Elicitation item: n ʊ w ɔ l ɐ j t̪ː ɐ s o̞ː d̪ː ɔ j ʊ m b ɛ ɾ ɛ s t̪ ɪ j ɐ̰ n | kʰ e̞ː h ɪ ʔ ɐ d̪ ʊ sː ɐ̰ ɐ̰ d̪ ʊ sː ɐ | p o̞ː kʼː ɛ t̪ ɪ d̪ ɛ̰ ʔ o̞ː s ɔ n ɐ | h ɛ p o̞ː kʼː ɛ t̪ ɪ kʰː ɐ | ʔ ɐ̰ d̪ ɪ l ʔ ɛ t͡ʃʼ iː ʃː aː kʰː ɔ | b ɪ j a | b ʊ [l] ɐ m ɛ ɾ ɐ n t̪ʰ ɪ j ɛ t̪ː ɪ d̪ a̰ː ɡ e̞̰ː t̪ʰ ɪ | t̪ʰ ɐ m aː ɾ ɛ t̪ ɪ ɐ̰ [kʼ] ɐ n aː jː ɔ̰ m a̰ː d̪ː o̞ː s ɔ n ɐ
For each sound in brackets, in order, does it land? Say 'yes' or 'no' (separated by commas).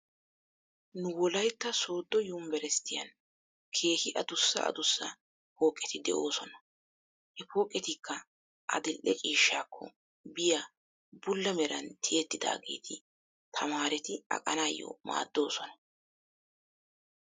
no, yes